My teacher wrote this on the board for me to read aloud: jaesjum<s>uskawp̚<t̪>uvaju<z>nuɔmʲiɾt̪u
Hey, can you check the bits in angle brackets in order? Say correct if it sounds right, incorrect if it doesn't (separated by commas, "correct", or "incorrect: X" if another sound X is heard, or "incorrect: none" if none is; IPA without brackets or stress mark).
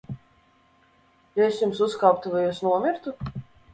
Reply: correct, correct, incorrect: s